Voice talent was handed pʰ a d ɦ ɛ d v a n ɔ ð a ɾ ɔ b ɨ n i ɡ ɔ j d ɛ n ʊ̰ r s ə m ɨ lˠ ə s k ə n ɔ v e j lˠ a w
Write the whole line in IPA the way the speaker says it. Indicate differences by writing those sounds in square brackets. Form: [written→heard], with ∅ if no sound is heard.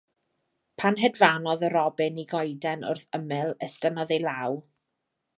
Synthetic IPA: pʰ a [d→n] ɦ ɛ d v a n ɔ ð [a→ə] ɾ ɔ b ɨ n i ɡ ɔ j d ɛ n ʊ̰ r [s→θ] ə m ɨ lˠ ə s [k→t] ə n ɔ [v→ð] e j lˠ a w